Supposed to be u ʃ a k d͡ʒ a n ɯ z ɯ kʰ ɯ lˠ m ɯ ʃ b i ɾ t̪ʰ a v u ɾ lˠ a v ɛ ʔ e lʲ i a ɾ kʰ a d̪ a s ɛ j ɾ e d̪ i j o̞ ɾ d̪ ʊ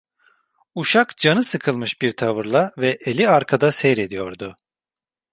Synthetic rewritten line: u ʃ a k d͡ʒ a n ɯ s ɯ kʰ ɯ lˠ m ɯ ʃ b i ɾ t̪ʰ a v ɯ ɾ lˠ a v ɛ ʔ e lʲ i a ɾ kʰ a d̪ a s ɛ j ɾ e d̪ i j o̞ ɾ d̪ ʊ